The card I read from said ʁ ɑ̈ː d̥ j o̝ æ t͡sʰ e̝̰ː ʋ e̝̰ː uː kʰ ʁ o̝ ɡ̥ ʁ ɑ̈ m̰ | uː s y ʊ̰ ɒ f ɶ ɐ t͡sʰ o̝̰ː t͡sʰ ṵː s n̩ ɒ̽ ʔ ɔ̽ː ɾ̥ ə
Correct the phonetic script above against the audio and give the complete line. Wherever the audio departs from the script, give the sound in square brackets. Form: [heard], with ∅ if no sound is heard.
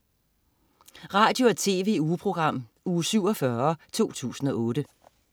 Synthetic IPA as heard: ʁ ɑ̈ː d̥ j o̝ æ t͡sʰ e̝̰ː ʋ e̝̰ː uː [pʰ] ʁ o̝ ɡ̥ ʁ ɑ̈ m̰ | uː s y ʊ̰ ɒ f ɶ ɐ t͡sʰ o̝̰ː t͡sʰ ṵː s n̩ ɒ̽ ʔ ɔ̽ː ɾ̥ ə